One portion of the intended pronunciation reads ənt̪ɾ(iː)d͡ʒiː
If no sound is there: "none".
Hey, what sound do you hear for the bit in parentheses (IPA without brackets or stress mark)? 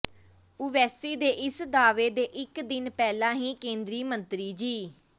iː